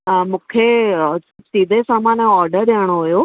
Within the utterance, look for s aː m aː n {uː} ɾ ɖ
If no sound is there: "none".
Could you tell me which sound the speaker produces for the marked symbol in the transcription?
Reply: ɔː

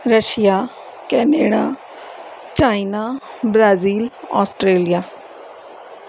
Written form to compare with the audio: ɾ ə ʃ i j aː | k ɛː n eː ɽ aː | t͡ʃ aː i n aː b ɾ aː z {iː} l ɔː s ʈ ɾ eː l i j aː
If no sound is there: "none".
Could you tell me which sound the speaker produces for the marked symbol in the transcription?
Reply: iː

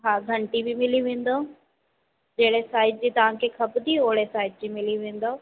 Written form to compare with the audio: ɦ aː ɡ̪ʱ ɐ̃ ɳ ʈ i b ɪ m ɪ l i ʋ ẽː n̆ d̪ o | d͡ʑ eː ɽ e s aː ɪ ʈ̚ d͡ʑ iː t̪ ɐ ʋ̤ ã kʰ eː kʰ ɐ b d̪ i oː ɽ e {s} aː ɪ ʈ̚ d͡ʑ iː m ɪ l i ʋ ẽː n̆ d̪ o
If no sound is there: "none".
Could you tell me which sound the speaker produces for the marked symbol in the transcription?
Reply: s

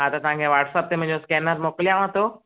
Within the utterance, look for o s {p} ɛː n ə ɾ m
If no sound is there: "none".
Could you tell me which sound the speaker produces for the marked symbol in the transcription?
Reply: k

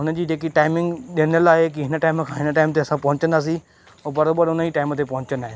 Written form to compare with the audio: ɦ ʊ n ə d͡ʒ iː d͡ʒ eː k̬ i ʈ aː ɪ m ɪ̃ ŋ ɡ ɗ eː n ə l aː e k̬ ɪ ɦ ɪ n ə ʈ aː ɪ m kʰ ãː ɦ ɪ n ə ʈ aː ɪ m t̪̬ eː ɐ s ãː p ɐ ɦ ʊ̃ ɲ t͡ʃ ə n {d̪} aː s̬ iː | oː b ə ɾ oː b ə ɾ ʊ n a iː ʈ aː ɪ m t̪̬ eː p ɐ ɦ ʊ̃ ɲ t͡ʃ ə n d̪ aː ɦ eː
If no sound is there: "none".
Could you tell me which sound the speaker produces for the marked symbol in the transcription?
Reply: d̪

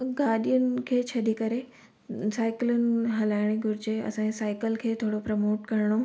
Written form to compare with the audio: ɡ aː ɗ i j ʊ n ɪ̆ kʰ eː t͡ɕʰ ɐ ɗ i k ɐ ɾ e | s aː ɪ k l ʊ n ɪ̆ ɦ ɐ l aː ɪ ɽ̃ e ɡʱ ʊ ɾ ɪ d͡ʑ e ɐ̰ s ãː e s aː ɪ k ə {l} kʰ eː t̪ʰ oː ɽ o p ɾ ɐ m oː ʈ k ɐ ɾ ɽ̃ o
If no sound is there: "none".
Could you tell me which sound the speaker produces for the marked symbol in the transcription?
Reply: l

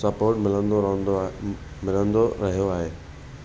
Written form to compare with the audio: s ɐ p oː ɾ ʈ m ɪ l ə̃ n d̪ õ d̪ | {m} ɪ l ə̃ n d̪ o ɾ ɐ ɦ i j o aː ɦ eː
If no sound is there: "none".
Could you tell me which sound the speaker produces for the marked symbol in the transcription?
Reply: m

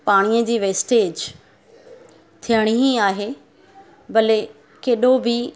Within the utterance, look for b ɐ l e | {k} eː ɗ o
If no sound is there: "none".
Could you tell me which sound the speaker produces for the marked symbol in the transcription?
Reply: k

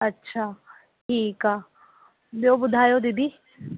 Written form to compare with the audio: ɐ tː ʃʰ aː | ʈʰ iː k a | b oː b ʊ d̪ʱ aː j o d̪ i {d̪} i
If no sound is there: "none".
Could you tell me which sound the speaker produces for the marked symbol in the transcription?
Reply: d̪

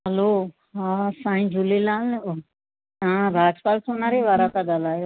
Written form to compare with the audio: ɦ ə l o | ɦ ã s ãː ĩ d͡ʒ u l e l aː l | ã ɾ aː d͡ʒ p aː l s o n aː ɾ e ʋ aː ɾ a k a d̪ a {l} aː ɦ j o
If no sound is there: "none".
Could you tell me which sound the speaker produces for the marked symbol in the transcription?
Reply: l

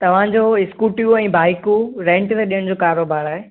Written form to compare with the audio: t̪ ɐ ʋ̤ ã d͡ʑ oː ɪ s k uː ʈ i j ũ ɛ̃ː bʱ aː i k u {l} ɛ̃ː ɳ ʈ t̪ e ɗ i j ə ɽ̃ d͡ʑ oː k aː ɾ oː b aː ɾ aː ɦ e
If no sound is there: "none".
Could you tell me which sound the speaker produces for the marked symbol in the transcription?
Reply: ɾ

